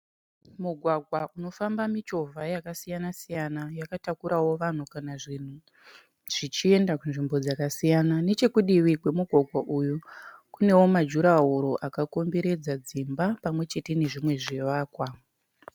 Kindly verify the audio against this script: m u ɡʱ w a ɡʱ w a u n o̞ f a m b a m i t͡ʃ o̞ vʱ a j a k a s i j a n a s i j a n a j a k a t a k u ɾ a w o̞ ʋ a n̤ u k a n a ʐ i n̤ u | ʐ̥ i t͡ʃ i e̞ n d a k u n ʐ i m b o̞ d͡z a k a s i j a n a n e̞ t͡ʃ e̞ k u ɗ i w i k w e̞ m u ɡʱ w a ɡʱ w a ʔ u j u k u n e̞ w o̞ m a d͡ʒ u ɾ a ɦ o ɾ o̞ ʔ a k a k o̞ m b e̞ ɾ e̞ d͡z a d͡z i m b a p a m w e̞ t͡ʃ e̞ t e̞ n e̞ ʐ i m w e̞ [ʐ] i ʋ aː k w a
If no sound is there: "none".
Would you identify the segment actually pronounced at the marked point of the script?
ʐ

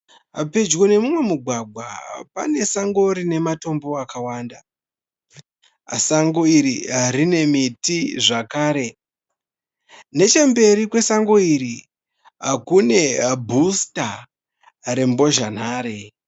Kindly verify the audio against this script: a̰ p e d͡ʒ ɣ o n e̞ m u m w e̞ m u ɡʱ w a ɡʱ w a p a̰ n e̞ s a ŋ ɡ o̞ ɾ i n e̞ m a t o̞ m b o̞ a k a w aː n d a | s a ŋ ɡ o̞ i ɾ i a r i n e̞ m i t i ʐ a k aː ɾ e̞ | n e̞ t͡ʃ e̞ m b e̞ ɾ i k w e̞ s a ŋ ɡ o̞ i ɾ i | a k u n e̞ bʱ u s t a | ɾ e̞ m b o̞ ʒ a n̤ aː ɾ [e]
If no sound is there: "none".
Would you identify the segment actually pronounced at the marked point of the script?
e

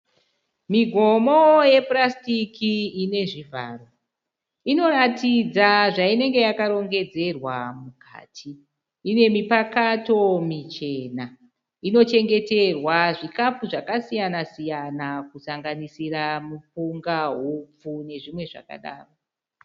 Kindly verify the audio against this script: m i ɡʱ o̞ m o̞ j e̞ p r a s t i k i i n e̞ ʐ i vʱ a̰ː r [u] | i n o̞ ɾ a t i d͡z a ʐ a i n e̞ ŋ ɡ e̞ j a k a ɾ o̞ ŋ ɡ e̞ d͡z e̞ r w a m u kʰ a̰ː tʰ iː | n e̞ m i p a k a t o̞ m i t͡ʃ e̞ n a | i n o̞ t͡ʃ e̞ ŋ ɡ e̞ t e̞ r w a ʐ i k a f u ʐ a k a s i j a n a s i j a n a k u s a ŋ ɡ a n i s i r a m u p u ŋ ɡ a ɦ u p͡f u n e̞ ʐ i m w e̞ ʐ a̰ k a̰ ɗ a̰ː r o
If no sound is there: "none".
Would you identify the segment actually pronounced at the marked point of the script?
o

